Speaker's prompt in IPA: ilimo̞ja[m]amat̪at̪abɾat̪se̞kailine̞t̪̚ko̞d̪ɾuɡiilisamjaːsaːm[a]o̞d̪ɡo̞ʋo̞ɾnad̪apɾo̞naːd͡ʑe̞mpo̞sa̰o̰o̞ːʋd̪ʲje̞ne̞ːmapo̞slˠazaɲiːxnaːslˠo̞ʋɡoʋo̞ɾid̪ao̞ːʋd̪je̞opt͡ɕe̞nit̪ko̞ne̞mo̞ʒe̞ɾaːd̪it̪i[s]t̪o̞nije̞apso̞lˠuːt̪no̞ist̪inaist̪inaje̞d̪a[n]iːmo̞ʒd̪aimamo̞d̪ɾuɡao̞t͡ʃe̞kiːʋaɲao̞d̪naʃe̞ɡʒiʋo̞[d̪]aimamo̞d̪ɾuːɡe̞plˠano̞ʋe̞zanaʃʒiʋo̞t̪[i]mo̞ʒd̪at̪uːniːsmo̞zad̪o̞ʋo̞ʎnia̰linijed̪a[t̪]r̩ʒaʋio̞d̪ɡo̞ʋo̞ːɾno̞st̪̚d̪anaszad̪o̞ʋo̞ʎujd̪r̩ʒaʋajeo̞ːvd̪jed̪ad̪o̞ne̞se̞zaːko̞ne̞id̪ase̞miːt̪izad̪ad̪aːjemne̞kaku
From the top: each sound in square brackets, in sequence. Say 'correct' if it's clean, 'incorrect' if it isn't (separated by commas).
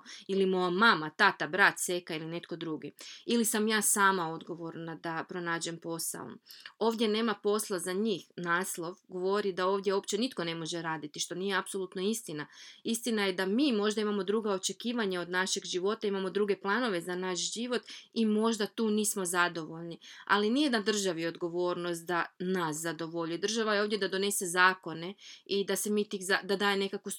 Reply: correct, correct, incorrect, incorrect, incorrect, correct, incorrect